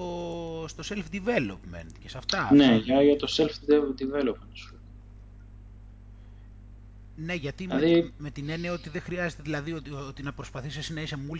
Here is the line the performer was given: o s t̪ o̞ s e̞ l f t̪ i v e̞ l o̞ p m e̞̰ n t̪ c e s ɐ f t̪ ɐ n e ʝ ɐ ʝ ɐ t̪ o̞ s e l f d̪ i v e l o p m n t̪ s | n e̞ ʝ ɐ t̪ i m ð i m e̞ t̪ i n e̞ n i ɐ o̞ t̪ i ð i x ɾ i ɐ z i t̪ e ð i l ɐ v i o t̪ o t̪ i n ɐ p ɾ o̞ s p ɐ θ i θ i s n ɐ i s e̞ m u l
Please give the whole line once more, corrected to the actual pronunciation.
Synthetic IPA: o s t̪ o̞ s e̞ l f d̪ i v e̞ l o̞ p m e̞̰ n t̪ c e s ɐ f t̪ ɐ n e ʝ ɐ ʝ ɐ t̪ o̞ s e l f d̪ i v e l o p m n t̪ s | n e̞ ʝ ɐ t̪ i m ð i m e̞ t̪ i n e̞ n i ɐ o̞ t̪ i ð e x ɾ i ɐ z e t̪ e ð i l ɐ ð i o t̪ o t̪ i n ɐ p ɾ o̞ s p ɐ θ i s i s n ɐ i s e̞ m u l